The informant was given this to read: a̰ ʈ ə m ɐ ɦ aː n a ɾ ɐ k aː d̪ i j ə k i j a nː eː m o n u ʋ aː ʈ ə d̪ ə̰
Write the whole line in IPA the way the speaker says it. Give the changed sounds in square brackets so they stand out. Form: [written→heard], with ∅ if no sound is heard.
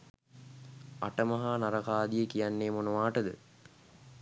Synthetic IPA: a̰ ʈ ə m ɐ ɦ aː n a ɾ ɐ k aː d̪ i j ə k i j a nː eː m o n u ʋ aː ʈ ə d̪ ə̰